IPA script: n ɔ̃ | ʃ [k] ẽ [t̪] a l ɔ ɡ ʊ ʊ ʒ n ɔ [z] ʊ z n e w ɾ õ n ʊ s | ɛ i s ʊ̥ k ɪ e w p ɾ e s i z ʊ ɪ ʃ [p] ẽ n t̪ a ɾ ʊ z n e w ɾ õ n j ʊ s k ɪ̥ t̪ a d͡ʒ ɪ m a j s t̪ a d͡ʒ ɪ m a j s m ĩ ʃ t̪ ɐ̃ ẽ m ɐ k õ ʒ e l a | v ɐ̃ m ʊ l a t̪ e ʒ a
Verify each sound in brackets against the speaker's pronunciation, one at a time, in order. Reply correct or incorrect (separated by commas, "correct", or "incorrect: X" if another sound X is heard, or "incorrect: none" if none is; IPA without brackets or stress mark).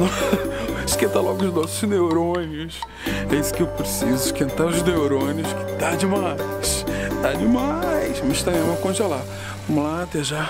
correct, correct, incorrect: s, incorrect: k